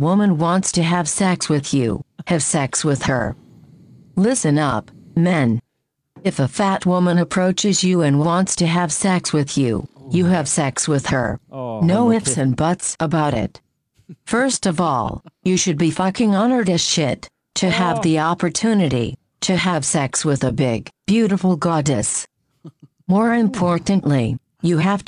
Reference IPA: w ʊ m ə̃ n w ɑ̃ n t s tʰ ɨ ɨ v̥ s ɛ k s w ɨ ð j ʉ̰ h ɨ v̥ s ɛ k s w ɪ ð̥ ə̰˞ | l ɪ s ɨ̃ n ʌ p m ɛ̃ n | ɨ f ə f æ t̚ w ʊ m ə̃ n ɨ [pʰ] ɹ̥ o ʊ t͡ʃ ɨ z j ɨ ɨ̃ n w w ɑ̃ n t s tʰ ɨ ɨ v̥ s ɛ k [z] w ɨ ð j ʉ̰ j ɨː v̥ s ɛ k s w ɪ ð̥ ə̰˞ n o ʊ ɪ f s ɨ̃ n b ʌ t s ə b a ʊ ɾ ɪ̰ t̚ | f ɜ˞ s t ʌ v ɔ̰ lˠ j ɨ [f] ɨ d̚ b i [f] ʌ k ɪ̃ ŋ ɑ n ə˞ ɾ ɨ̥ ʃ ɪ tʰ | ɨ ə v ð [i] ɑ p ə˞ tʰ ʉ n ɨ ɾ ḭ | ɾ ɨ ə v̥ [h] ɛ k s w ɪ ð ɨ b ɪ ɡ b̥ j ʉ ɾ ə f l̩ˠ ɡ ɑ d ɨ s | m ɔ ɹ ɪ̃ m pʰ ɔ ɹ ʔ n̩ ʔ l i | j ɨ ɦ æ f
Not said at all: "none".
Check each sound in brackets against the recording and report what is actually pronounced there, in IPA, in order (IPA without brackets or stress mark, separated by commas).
pʰ, s, ʃ, f, i, s